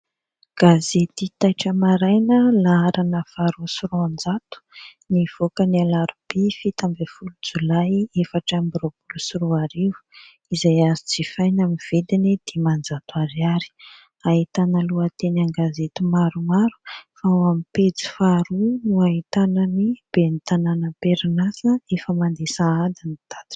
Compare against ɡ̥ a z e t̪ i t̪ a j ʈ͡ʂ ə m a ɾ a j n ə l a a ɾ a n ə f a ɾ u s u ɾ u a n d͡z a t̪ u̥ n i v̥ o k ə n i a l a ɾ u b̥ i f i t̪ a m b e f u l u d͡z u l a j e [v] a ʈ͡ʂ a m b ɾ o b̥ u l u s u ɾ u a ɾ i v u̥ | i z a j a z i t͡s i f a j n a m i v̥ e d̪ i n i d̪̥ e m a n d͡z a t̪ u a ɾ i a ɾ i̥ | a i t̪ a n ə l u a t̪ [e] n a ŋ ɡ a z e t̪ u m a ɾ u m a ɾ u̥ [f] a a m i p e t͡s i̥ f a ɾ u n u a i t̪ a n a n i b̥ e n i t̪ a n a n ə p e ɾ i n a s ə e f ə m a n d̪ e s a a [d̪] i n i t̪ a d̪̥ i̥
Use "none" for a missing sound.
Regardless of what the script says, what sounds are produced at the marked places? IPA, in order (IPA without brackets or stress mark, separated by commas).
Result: f, e, f, d̪